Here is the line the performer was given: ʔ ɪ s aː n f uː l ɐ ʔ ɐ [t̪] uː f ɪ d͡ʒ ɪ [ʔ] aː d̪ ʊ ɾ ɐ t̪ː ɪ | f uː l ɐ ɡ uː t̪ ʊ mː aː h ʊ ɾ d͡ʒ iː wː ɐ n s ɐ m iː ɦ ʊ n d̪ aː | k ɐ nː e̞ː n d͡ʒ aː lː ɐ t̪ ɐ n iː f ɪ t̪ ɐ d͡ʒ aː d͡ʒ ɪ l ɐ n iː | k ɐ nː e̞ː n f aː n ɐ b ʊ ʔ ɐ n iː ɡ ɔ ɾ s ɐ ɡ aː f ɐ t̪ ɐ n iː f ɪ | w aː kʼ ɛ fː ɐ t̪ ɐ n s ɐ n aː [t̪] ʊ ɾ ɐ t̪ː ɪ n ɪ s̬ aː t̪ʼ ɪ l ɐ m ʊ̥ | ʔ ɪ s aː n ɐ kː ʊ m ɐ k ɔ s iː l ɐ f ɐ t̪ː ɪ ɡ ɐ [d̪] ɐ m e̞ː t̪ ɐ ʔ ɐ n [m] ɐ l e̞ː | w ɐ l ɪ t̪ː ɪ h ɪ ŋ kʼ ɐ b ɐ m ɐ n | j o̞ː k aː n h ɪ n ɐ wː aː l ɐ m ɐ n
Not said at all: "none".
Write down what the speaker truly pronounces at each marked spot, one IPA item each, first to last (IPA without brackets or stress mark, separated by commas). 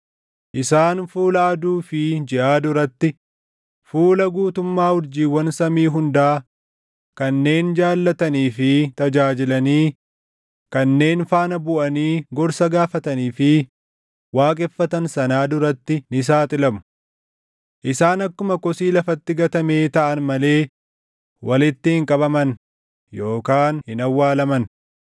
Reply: d̪, ʔ, d̪, t̪, m